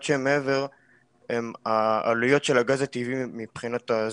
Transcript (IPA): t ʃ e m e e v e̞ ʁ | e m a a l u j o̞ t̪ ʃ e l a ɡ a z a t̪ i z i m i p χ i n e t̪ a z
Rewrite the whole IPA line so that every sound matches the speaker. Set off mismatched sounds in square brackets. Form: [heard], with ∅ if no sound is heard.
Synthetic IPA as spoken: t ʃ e m e e v e̞ ʁ | e m a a l u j o̞ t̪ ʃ e l a ɡ a z a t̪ i [v] i m i p χ i n [a] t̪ a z